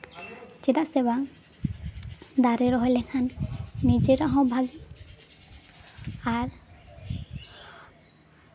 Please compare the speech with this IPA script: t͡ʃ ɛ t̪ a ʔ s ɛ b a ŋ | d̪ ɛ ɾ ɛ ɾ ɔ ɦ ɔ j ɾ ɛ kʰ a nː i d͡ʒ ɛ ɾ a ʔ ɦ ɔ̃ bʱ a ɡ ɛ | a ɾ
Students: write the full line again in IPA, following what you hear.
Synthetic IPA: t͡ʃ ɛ d̪ a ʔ s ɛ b a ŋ | d̪ a ɾ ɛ ɾ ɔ ɦ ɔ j l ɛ kʰ a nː i d͡ʒ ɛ ɾ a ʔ ɦ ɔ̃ bʱ a ɡ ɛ | a ɾ